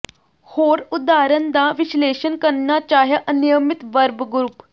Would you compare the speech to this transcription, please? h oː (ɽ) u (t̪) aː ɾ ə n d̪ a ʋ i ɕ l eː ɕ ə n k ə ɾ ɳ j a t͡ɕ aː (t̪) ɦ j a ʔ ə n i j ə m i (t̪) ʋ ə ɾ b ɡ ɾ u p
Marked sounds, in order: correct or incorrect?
incorrect: ɾ, incorrect: d̪, incorrect: none, correct

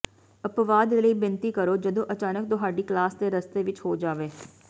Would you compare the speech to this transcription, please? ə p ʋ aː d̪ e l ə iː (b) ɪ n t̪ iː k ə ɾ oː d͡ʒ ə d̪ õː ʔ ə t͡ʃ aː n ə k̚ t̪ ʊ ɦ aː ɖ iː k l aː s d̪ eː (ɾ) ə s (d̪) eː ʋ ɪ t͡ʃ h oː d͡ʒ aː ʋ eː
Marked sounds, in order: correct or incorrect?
correct, correct, incorrect: t̪

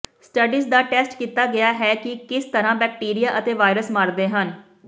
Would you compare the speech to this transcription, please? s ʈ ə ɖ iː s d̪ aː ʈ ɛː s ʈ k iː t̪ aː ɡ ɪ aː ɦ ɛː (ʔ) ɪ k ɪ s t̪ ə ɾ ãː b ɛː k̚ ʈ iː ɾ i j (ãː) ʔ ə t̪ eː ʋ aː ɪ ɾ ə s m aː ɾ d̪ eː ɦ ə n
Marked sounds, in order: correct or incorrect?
incorrect: k, incorrect: aː

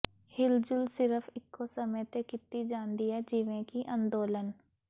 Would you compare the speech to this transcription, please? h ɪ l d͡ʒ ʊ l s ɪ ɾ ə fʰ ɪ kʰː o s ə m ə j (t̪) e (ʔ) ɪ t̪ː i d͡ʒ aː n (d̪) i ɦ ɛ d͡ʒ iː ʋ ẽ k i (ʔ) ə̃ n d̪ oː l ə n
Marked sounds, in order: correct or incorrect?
correct, incorrect: k, correct, correct

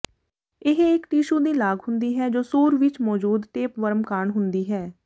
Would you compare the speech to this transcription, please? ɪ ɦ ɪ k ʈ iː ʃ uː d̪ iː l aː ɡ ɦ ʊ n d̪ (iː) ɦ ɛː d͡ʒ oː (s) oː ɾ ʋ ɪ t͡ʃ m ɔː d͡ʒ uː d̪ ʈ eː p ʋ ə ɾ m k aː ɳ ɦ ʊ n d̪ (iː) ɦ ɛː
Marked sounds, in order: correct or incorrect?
correct, correct, correct

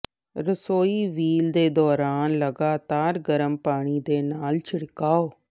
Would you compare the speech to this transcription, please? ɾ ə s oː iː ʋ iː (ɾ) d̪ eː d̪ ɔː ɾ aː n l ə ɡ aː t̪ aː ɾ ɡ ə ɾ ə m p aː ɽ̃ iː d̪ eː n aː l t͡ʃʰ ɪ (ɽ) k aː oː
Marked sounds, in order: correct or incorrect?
incorrect: l, correct

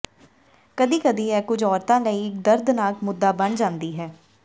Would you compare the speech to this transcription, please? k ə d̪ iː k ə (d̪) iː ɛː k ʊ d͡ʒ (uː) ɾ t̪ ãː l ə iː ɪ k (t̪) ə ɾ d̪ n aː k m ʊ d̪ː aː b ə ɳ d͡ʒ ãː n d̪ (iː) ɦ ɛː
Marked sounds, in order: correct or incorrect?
correct, incorrect: ɔː, incorrect: d̪, correct

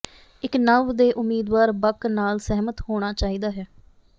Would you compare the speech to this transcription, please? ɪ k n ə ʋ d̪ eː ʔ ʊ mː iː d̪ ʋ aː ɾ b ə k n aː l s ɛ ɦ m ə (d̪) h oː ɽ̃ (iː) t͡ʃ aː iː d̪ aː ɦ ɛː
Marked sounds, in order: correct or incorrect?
incorrect: t̪, incorrect: aː

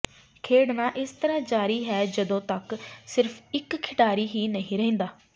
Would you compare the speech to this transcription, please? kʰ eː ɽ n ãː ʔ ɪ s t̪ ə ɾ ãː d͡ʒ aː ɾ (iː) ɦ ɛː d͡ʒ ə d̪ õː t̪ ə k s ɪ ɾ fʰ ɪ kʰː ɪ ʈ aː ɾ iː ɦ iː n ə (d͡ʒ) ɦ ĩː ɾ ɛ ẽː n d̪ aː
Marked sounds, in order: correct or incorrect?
correct, incorrect: none

